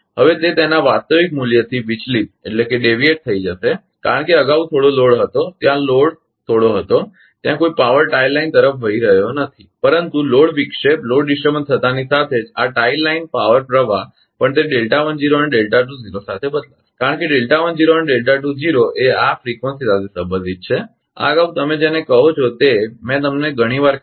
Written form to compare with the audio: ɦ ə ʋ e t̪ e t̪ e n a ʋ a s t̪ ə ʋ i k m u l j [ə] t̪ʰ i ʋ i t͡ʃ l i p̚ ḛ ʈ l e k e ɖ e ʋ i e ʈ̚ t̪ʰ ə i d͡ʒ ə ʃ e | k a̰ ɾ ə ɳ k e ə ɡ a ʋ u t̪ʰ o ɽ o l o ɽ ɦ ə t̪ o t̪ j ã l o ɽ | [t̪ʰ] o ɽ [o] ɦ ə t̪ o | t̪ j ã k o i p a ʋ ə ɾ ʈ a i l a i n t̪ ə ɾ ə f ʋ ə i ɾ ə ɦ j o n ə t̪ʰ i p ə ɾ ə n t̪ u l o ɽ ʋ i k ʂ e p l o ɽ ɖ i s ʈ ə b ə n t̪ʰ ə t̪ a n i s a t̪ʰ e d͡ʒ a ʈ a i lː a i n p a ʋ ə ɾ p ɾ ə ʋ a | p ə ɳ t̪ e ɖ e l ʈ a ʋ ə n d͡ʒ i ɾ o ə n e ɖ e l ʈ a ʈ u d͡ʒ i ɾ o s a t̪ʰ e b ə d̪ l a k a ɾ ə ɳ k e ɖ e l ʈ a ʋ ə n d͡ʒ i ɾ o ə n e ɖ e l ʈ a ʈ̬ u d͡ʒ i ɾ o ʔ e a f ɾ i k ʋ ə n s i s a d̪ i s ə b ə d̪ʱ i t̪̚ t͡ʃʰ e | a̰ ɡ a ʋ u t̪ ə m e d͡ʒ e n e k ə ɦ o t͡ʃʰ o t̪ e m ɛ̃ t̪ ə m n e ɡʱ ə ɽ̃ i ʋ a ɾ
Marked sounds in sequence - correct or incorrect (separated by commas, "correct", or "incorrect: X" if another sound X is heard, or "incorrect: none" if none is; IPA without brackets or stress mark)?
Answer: correct, correct, correct